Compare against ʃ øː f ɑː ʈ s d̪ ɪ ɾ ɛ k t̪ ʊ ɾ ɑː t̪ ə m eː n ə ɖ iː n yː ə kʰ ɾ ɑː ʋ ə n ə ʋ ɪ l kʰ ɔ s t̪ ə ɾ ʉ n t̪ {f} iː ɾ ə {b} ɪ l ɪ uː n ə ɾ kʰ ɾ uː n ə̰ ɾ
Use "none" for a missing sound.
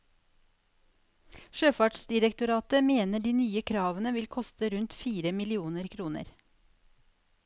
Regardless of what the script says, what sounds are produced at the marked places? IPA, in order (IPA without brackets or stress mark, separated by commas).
f, m